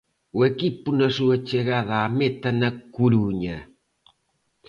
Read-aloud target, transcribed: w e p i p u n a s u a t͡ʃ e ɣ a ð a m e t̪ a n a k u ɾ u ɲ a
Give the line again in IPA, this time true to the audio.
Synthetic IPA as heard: w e k i p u n a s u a t͡ʃ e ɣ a ð a m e t̪ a n a k u ɾ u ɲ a